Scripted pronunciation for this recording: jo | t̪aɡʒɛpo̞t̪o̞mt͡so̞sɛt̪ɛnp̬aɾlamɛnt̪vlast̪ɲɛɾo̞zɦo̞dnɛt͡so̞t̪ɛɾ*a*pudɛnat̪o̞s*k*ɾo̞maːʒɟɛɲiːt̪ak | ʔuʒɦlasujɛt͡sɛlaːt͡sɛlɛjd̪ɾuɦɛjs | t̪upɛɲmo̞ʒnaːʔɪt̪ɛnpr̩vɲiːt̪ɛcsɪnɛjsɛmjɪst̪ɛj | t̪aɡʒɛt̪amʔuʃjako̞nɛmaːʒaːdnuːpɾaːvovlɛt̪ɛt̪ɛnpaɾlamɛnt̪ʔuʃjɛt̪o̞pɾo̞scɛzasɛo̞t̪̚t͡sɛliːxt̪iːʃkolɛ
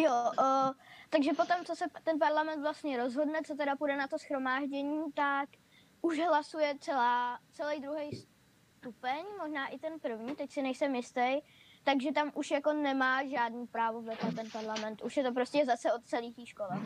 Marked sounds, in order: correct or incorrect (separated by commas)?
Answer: correct, incorrect